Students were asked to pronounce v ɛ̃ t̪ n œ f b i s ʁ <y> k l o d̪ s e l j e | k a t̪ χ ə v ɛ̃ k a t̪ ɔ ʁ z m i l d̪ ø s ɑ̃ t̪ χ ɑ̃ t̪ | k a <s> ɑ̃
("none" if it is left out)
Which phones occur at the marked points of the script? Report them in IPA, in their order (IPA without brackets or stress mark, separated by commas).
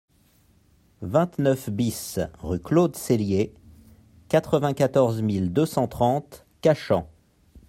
y, ʃ